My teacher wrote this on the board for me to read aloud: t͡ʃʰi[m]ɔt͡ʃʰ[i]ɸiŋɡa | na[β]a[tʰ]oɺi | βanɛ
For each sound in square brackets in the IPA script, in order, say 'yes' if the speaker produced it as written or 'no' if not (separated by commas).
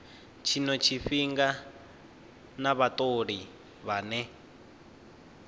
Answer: no, yes, yes, no